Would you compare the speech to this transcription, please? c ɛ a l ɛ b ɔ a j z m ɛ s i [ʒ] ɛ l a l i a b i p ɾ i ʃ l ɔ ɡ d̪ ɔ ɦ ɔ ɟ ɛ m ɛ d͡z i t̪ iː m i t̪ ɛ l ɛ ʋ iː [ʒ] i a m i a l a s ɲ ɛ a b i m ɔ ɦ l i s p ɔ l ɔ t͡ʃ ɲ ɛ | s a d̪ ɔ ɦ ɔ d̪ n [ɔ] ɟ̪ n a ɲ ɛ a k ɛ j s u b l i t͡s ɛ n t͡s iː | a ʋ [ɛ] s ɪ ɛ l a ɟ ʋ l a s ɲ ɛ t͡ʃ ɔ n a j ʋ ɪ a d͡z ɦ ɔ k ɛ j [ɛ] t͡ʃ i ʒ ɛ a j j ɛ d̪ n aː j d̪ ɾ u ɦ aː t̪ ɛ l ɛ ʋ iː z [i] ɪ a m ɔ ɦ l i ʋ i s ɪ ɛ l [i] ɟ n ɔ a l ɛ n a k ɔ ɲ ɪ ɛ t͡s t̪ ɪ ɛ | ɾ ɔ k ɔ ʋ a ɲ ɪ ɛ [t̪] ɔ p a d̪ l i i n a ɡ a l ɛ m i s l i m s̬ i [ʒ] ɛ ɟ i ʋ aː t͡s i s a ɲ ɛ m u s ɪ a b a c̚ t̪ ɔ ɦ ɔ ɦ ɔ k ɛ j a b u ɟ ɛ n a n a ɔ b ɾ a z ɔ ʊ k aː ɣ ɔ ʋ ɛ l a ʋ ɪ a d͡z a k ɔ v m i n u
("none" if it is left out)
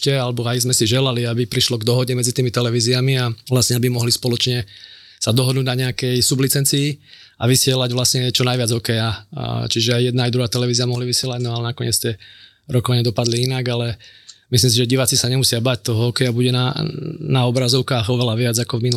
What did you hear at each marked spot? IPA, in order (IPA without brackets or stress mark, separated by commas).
ʒ, z, u, i, a, i, a, d̪, ʒ